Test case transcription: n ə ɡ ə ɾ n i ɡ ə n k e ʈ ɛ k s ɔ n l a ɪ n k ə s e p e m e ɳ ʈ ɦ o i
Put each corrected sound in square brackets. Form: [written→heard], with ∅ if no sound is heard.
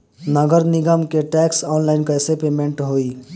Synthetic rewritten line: n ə ɡ ə ɾ n i ɡ ə [n→m] k e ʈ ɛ k s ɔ n l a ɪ n k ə s e p e m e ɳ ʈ ɦ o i

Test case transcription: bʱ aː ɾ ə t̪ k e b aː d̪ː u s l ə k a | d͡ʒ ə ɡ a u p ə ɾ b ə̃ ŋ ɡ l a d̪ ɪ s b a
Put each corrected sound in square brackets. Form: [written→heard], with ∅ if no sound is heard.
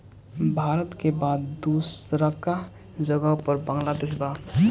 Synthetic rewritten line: bʱ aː ɾ ə t̪ k e b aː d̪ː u s [l→ɾ] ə k a | d͡ʒ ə ɡ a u p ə ɾ b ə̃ ŋ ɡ l a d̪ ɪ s b a

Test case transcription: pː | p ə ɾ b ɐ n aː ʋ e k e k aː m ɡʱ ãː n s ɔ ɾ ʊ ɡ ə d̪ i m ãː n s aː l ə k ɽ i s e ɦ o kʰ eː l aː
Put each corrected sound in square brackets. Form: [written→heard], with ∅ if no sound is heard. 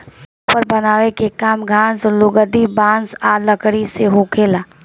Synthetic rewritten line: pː | p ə ɾ b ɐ n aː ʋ e k e k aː m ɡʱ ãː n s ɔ [ɾ→l] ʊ ɡ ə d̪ i [m→b] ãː n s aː l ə k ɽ i s e ɦ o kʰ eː l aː

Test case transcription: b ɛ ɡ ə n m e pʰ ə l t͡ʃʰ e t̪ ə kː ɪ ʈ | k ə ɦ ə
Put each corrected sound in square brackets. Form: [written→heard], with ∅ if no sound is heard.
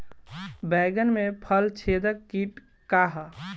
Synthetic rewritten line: b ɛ ɡ ə n m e pʰ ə l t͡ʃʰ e [t̪→d̪] ə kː [ɪ→i] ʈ | k [ə→a] ɦ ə

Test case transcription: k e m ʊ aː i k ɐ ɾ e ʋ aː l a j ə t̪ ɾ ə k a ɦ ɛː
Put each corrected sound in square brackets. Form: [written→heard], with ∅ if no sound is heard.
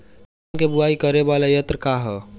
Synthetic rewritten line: k e [m→b] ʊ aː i k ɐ ɾ e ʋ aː l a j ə t̪ ɾ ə k a ɦ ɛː

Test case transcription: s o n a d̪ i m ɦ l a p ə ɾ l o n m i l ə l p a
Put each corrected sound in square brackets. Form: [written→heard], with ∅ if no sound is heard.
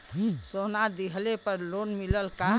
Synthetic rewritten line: s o n a d̪ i [m→∅] ɦ l [a→e] p ə ɾ l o n m i l ə l [p→k] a

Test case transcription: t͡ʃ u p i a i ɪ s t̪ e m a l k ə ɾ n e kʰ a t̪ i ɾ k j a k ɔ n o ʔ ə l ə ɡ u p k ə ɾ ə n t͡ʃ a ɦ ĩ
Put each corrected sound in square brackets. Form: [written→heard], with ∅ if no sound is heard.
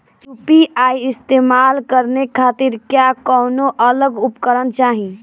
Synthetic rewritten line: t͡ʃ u p i a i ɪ s t̪ e m a l k ə ɾ n e kʰ a t̪ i ɾ k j a k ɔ n o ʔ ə l ə ɡ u p k ə ɾ ə n t͡ʃ a ɦ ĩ

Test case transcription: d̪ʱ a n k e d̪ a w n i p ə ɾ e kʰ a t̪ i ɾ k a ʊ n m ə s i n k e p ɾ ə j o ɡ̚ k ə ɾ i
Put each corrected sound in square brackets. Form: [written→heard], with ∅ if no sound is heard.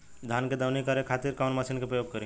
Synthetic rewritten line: d̪ʱ a n k e d̪ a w n i [p→k] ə ɾ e kʰ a t̪ i ɾ k a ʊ n m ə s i n k e p ɾ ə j o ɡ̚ k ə ɾ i

